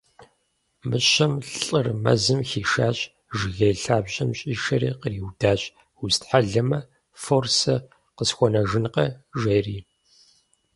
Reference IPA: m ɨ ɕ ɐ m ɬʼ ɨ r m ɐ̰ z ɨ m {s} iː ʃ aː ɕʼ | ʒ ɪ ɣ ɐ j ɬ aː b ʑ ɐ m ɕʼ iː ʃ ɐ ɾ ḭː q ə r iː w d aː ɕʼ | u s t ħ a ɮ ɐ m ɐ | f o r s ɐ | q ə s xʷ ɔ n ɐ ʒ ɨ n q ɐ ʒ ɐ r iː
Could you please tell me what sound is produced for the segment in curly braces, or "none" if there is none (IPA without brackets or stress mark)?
x